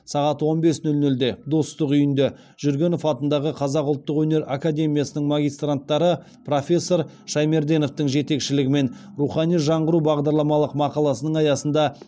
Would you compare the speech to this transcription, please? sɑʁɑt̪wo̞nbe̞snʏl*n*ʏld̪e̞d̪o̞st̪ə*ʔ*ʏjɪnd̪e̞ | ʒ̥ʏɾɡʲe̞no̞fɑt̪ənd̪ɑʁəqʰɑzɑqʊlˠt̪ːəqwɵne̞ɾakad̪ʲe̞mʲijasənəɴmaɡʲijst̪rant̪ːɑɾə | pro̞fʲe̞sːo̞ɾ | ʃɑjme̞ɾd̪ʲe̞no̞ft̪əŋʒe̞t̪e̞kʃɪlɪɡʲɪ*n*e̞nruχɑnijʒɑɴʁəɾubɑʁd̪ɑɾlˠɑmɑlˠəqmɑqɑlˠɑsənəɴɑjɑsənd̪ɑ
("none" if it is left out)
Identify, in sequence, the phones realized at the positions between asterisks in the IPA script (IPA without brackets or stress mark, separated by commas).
n, q, m